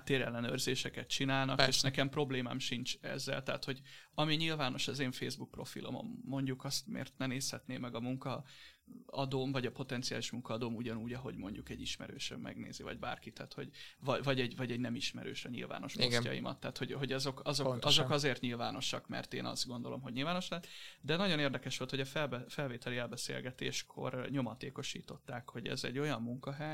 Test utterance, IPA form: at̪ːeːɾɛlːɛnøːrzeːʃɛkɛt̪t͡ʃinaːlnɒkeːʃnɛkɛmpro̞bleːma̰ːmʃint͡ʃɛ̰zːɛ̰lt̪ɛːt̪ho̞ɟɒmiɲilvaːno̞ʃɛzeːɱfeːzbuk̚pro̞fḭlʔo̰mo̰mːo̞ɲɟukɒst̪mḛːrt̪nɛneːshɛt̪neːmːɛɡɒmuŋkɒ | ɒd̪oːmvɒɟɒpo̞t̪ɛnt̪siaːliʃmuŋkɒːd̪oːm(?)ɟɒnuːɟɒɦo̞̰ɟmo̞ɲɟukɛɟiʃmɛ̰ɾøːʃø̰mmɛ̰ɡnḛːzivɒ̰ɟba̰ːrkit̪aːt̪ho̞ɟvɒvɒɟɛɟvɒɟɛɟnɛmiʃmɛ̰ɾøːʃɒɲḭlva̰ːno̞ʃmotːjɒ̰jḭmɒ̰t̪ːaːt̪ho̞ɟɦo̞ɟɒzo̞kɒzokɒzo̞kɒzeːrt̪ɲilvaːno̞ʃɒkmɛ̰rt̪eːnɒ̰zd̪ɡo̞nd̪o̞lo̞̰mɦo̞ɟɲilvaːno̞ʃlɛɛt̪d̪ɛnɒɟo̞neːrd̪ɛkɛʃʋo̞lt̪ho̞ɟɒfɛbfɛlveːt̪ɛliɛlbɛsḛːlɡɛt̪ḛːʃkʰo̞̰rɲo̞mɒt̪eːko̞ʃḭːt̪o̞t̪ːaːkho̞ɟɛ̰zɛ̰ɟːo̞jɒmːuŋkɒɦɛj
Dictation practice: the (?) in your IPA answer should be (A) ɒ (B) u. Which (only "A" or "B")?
B